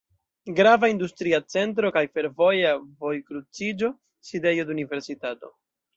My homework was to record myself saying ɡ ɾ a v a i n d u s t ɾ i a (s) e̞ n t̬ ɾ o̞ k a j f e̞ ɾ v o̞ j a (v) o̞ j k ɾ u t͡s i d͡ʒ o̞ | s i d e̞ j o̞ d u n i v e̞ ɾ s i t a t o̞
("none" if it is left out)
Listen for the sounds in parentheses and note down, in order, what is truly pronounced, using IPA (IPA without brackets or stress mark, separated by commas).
t͡s, v